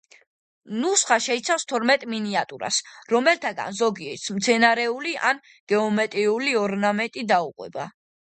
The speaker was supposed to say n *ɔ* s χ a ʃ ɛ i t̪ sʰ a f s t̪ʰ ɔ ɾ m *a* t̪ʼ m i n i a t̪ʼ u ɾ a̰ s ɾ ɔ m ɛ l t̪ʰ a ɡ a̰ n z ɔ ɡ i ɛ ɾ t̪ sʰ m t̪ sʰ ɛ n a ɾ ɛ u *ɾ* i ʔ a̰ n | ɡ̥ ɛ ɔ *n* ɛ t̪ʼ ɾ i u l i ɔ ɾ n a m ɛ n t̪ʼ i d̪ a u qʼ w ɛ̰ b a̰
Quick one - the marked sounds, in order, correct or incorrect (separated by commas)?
incorrect, incorrect, incorrect, incorrect